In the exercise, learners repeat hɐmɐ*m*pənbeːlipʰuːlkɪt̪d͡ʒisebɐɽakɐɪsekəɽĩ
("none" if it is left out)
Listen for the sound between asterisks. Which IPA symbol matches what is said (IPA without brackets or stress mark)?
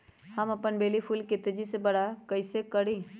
none